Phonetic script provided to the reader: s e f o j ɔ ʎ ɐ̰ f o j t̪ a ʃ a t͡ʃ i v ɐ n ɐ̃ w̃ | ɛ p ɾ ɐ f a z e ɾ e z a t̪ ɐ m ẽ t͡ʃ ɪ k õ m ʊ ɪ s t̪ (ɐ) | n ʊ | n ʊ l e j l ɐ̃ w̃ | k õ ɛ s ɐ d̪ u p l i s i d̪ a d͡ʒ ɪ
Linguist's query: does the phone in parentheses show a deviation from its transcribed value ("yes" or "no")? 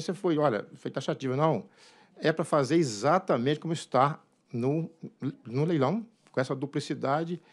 yes